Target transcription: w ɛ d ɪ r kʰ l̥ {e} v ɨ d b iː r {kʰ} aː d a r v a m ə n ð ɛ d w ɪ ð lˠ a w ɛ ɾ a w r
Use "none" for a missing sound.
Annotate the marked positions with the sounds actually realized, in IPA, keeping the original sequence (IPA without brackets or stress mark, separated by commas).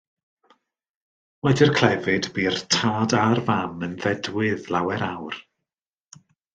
ɛ, tʰ